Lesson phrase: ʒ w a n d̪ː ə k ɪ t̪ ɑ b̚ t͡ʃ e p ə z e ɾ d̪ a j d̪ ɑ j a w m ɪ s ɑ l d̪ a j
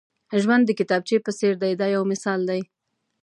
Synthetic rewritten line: ʒ w a n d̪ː ə k ɪ t̪ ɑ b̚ t͡ʃ e p ə s e ɾ d̪ a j d̪ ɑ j a w m ɪ s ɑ l d̪ a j